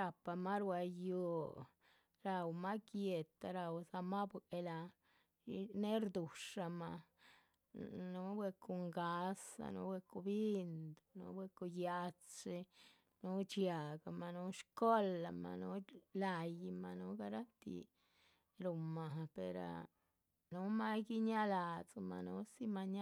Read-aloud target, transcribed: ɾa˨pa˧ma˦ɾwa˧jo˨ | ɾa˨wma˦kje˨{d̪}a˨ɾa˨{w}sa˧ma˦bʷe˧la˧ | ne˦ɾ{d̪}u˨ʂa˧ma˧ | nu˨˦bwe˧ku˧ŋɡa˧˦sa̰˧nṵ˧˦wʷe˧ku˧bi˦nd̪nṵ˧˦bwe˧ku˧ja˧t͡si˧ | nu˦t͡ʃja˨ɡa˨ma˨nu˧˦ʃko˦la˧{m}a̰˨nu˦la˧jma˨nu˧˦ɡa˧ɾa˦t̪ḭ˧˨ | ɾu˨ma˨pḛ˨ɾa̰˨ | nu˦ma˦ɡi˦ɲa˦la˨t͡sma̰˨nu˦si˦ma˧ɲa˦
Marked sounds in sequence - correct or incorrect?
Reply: incorrect, correct, correct, correct

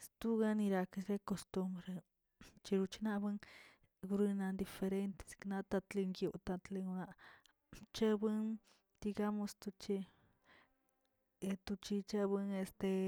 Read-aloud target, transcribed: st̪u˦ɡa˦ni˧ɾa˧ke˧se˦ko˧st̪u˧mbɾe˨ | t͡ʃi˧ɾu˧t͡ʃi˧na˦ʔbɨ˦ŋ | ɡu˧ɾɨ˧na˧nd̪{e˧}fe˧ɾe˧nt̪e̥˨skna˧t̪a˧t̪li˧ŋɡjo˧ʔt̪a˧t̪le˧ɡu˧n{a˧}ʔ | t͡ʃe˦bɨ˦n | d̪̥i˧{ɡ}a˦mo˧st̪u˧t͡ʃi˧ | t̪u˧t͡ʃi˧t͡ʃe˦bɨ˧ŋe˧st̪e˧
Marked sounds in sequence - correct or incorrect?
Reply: incorrect, correct, correct

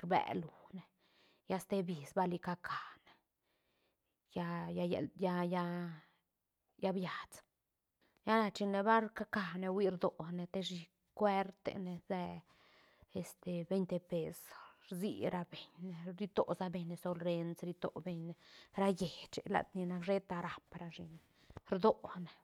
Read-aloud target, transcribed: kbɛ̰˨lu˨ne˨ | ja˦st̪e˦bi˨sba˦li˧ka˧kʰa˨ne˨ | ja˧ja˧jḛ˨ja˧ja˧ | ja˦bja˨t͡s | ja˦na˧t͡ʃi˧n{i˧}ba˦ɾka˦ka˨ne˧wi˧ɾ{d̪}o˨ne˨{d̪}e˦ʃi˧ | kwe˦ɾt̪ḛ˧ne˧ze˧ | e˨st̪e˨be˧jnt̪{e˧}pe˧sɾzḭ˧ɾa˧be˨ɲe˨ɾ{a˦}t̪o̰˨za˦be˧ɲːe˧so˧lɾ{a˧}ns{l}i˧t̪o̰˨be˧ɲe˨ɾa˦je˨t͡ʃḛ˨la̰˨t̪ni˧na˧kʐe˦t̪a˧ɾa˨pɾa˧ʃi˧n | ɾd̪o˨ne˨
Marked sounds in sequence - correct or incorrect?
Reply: incorrect, correct, incorrect, correct, incorrect, incorrect, incorrect

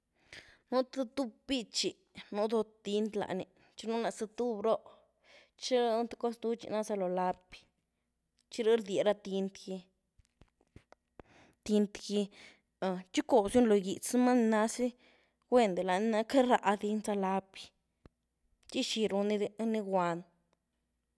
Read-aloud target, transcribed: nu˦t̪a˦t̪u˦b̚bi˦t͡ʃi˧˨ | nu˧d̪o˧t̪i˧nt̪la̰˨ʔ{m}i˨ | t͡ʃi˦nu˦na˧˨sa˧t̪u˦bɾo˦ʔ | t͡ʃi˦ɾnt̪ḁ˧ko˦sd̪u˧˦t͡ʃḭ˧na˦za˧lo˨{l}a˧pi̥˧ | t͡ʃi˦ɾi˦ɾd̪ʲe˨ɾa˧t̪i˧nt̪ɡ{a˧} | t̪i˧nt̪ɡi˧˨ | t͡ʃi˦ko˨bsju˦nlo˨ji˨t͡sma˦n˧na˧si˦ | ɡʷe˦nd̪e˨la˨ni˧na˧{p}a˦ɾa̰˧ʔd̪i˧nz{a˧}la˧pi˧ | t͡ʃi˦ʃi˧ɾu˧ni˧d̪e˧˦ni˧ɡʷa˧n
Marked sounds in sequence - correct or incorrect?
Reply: incorrect, correct, incorrect, incorrect, correct

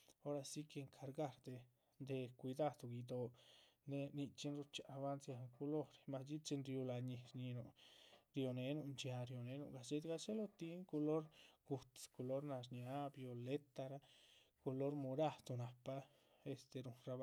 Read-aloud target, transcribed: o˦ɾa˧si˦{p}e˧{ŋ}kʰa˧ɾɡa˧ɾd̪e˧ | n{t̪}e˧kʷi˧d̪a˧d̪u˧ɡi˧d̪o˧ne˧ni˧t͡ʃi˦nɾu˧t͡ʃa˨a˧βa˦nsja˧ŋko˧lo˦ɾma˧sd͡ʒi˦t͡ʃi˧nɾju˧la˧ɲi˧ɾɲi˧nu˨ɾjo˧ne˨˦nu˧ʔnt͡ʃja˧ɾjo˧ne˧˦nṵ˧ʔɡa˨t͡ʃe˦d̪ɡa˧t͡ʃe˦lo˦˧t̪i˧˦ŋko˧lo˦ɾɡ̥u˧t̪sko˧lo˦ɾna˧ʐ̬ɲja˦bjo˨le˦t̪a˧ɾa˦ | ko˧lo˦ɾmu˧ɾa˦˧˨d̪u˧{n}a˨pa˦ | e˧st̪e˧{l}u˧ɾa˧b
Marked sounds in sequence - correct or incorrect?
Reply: incorrect, correct, incorrect, correct, incorrect

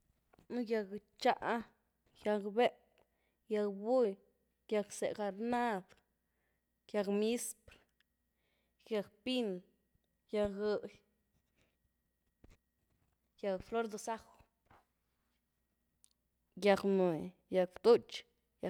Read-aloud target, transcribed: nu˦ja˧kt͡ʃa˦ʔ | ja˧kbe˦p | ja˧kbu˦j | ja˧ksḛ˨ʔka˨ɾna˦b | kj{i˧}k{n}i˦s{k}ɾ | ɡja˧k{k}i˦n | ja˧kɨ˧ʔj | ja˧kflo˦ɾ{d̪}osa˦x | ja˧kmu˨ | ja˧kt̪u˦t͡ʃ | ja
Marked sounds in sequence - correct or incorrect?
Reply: incorrect, incorrect, incorrect, incorrect, correct

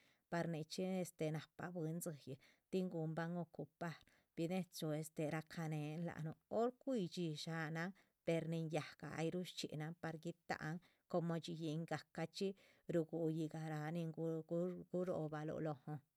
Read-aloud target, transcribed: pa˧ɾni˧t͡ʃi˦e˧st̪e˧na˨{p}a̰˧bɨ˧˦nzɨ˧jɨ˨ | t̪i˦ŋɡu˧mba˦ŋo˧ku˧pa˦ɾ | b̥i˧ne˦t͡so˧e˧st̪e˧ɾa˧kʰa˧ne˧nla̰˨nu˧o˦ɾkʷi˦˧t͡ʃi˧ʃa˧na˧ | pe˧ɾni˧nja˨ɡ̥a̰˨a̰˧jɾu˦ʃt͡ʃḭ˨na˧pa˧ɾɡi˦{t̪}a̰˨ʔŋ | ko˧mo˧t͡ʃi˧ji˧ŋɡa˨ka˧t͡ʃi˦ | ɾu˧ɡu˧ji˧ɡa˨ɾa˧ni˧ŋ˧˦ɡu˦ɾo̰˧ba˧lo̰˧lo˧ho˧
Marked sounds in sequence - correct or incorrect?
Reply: correct, correct

